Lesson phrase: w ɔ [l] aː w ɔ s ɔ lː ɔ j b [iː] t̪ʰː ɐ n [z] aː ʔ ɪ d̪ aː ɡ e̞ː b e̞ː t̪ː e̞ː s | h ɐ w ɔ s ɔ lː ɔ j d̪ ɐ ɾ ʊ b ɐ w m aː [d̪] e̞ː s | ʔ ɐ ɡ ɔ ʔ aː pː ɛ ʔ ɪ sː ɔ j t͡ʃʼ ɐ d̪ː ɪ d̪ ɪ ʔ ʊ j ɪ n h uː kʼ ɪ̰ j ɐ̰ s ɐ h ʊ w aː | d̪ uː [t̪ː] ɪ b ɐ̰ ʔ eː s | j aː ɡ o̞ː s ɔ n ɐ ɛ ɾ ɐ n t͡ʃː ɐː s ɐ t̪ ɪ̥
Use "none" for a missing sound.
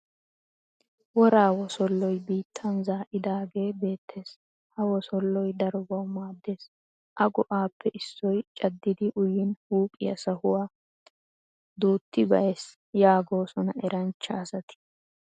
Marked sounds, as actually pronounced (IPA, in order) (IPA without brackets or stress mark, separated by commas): ɾ, iː, z, d̪ː, t̪ː